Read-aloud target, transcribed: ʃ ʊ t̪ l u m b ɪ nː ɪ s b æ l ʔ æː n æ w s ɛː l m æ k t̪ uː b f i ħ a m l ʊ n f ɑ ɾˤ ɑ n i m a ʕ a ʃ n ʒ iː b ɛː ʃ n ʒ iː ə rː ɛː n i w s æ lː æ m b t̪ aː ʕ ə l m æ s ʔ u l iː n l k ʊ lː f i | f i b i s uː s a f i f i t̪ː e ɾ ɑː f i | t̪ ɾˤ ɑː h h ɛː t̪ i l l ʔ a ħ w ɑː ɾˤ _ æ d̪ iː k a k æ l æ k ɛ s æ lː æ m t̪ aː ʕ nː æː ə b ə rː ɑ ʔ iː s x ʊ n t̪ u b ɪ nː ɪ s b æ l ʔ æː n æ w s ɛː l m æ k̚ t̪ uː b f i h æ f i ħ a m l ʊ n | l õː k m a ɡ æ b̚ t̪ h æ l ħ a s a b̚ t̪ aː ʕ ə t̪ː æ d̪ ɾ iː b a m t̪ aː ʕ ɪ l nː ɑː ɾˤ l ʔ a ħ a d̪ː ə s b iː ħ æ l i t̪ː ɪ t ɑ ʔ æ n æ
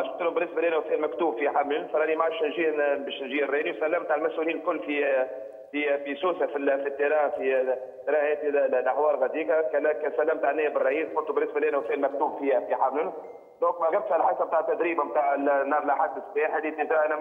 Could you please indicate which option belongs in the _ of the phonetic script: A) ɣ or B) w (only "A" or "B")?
A